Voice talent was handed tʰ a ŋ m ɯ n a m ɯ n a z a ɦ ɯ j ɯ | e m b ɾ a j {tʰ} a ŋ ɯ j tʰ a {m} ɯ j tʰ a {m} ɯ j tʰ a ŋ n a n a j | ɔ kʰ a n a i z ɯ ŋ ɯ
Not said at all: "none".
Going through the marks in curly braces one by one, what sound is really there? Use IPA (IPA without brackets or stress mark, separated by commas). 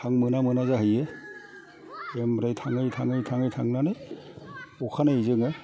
tʰ, ŋ, ŋ